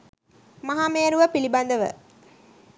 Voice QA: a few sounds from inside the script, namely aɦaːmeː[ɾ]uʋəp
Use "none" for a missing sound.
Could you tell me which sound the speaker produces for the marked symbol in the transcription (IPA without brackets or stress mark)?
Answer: ɾ